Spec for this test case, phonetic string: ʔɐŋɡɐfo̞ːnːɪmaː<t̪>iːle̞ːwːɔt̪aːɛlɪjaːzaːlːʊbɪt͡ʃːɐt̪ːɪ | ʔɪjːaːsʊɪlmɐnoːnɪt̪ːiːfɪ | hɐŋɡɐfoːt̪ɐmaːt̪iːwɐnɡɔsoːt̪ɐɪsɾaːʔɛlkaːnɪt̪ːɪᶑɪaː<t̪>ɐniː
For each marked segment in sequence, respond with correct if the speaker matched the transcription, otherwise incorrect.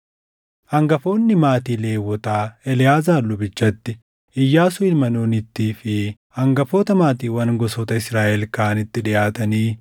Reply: correct, correct

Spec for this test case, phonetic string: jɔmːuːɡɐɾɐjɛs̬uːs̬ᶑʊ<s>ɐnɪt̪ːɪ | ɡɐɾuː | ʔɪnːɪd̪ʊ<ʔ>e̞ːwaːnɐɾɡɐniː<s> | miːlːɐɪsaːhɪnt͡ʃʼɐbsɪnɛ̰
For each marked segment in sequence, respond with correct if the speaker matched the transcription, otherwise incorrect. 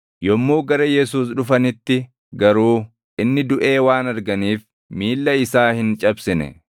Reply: incorrect, correct, incorrect

